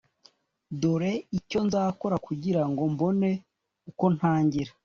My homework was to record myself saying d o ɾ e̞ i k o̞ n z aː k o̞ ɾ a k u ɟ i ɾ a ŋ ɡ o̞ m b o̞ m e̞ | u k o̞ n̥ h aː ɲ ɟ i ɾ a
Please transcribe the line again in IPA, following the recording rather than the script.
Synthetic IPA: d o ɾ e̞ i c o̞ n z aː k o̞ ɾ a k u ɟ i ɾ a ŋ ɡ o̞ m b o̞ n e̞ | u k o̞ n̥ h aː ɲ ɟ i ɾ a